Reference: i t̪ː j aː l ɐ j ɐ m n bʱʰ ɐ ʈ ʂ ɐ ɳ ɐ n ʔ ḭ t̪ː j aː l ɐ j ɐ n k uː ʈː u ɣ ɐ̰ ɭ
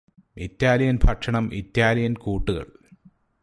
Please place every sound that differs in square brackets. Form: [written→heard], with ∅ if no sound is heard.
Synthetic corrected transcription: i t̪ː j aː l ɐ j ɐ [m→∅] n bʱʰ ɐ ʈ ʂ ɐ ɳ ɐ [n→m] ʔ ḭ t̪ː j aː l ɐ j ɐ n k uː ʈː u ɣ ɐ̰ ɭ